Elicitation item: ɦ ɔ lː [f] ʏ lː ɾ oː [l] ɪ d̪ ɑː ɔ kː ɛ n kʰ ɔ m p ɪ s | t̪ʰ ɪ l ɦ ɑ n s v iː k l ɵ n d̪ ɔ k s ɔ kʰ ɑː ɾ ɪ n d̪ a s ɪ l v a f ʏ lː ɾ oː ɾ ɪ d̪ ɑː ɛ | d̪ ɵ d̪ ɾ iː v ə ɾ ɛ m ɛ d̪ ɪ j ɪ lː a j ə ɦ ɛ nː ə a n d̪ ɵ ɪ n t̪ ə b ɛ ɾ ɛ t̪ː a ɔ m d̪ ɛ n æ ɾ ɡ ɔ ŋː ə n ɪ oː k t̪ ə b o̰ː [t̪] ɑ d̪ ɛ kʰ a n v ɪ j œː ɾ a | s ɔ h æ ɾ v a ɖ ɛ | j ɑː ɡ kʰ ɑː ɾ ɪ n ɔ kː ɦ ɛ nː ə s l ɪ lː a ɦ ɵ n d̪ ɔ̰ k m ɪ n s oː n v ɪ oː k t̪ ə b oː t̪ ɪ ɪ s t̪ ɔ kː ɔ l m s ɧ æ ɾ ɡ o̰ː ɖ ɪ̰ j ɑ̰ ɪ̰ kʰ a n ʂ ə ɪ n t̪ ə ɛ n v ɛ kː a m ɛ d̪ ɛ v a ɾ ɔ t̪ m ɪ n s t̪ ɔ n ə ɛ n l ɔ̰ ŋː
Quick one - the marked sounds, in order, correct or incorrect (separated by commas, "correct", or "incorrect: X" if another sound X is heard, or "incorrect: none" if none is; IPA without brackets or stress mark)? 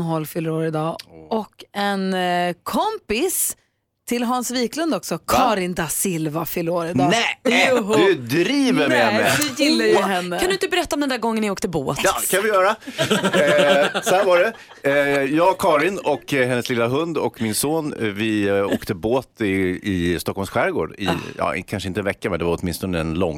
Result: correct, incorrect: ɾ, correct